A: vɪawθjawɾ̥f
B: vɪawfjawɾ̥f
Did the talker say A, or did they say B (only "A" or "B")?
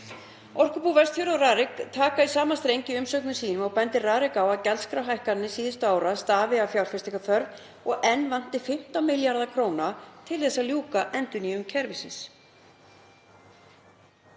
B